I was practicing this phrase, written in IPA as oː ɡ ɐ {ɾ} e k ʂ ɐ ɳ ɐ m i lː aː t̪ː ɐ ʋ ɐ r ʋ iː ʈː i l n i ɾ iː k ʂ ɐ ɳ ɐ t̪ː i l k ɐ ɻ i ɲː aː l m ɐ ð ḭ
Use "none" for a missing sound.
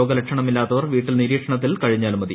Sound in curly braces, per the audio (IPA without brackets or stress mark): l